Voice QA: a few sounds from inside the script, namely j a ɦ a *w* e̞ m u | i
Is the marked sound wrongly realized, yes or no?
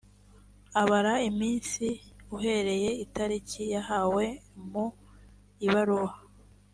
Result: no